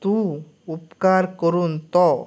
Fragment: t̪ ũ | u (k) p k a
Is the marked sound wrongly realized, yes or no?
yes